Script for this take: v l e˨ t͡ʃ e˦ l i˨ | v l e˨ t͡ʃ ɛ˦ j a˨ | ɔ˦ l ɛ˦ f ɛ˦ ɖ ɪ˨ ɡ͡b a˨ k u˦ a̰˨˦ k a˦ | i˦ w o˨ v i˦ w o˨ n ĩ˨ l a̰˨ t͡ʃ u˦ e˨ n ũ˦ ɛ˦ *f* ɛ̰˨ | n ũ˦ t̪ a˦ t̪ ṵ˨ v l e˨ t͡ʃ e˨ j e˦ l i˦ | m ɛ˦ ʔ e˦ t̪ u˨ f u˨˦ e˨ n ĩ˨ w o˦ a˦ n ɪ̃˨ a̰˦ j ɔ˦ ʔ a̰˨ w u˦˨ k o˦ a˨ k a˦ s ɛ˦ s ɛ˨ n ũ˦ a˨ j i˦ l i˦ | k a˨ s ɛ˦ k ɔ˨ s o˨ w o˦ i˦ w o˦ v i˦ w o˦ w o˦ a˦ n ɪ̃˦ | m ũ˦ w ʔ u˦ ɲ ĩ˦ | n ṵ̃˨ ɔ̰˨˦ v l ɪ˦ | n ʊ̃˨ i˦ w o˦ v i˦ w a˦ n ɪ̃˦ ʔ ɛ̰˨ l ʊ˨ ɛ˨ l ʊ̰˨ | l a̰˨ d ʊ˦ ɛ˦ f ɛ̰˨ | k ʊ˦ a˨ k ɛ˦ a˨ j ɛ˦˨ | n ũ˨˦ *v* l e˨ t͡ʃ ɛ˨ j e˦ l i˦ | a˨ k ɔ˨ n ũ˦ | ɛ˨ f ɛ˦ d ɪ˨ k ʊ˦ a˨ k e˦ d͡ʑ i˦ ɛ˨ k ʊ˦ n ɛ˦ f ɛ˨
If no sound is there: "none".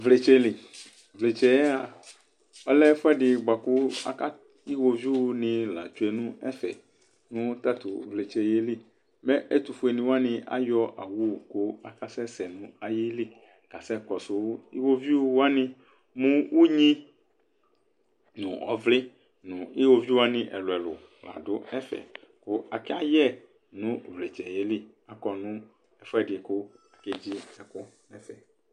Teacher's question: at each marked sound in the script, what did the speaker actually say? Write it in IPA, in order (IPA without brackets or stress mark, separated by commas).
f, v